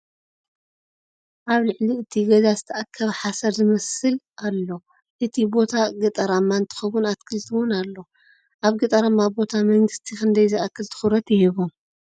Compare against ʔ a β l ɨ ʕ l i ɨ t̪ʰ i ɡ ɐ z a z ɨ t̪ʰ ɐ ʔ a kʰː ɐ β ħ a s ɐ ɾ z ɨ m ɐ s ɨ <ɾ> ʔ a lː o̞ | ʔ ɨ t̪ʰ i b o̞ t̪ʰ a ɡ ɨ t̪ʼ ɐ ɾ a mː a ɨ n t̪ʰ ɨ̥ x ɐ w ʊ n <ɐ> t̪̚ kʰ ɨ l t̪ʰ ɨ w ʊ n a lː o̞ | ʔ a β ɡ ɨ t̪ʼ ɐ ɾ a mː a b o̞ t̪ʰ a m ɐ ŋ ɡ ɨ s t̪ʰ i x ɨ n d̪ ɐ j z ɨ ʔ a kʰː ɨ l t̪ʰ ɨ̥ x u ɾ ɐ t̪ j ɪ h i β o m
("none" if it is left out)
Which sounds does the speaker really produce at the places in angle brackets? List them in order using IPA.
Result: l, a

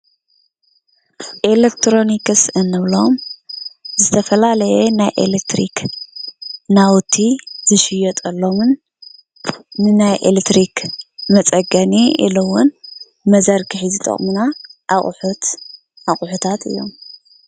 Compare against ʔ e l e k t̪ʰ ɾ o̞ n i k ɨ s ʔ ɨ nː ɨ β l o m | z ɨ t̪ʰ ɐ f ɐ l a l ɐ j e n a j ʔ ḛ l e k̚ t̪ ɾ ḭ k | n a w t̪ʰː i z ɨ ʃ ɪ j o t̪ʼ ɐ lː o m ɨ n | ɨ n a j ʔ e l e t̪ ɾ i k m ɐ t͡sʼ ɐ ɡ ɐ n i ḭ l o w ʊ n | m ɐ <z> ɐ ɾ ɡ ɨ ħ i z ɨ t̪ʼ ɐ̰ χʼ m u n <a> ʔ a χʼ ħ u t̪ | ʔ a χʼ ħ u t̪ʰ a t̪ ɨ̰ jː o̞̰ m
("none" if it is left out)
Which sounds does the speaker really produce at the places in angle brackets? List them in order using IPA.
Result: z, a

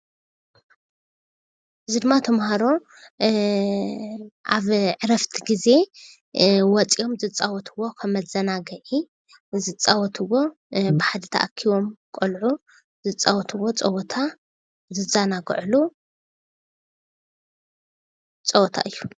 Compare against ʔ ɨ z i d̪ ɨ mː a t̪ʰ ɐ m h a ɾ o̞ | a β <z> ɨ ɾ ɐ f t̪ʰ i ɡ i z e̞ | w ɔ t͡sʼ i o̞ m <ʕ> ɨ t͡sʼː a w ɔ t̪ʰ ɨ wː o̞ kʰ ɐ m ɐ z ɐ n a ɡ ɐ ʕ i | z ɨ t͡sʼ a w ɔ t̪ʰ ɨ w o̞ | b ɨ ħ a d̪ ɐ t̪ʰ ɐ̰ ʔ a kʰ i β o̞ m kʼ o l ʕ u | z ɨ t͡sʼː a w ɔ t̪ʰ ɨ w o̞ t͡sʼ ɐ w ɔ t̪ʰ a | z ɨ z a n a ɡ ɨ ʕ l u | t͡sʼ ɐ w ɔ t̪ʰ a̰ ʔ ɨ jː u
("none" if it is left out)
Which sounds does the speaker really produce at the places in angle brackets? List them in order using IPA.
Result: ʕ, z

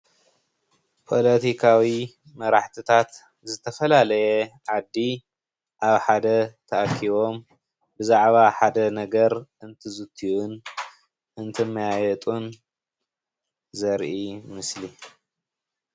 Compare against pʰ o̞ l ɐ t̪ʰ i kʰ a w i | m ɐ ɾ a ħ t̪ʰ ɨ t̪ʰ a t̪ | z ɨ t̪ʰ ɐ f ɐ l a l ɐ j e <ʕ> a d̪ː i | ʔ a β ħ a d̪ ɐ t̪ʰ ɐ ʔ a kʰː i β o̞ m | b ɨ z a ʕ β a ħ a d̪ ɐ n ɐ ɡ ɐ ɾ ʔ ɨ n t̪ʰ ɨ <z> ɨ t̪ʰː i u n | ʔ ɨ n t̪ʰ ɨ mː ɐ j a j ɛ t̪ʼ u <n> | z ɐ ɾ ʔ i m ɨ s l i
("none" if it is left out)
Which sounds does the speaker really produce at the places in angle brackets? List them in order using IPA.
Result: ʕ, z, n

